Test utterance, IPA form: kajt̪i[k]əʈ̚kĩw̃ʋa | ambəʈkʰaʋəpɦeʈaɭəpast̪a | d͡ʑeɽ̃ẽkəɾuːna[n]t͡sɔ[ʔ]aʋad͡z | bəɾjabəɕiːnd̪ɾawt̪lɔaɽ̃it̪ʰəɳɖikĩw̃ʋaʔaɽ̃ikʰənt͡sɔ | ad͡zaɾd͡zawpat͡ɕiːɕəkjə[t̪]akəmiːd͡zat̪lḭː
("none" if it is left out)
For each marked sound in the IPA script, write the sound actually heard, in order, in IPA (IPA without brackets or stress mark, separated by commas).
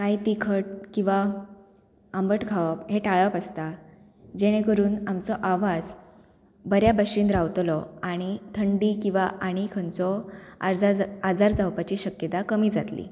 kʰ, m, ʔ, t̪